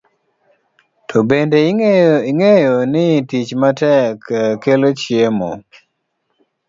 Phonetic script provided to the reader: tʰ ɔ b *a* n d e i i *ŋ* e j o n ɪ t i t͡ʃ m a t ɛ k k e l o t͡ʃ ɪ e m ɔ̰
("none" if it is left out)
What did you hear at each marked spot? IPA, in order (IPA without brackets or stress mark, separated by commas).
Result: e, ŋ